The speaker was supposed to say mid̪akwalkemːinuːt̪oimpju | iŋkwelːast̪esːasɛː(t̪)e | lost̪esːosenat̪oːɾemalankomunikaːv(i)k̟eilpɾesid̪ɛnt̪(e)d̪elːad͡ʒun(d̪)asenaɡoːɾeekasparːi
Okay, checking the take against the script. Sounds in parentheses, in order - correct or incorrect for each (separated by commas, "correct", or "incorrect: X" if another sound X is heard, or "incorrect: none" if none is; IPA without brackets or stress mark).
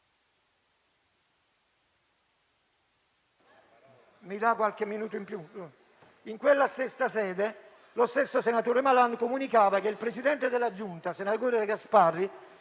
incorrect: d̪, incorrect: a, correct, incorrect: t̪